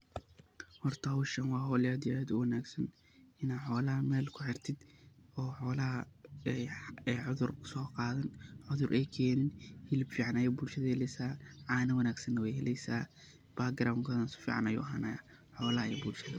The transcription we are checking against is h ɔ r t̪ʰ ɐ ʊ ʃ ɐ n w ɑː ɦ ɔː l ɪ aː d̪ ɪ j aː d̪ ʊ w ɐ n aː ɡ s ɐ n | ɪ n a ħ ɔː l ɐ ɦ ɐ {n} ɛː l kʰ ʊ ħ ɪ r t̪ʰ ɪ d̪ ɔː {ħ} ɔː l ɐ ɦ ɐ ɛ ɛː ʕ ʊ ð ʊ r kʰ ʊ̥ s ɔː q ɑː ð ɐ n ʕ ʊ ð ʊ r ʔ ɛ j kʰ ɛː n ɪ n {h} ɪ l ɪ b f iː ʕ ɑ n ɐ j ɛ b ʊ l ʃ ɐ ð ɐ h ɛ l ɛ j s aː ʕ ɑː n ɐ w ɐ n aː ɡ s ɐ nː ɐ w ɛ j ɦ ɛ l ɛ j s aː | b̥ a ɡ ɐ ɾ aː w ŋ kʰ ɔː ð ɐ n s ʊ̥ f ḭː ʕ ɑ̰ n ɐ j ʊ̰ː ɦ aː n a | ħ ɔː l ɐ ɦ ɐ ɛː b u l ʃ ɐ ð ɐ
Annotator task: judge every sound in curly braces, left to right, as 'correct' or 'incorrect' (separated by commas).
incorrect, correct, correct